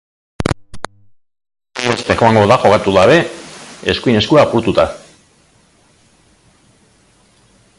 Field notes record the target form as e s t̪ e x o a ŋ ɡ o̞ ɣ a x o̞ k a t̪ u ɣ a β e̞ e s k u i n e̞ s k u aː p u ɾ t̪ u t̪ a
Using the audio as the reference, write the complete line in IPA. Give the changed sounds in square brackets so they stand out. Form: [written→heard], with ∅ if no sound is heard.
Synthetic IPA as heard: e s t̪ e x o a ŋ ɡ o̞ [ɣ→ð] a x o̞ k a t̪ u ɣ a β e̞ e s k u i n e̞ s k u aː p u ɾ t̪ u t̪ a